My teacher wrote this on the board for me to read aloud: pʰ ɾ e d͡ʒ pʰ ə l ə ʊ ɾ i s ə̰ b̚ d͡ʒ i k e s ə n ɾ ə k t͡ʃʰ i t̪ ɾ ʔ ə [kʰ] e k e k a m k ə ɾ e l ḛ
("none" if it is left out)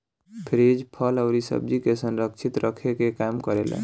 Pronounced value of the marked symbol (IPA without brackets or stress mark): kʰ